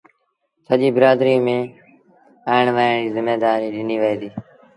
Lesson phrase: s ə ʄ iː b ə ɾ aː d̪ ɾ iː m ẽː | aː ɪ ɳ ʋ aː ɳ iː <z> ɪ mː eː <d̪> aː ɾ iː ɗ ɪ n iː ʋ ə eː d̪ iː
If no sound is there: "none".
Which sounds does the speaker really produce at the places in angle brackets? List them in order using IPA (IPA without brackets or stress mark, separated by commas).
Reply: z, d̪